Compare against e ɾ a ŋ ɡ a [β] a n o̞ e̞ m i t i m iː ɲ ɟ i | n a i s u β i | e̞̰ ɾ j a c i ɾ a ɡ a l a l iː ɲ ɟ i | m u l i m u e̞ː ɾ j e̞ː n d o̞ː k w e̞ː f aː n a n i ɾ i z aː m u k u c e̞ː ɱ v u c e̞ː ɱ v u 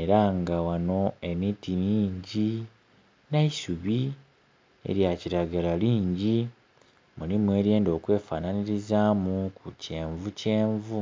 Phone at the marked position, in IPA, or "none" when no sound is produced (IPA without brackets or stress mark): w